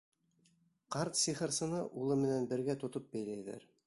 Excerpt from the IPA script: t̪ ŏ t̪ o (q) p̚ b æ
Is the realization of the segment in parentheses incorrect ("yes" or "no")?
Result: yes